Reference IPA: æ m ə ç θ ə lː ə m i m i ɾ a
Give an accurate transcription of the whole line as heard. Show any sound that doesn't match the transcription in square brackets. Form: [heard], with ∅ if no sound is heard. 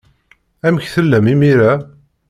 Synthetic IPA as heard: æ m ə ç θ ə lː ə m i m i ɾ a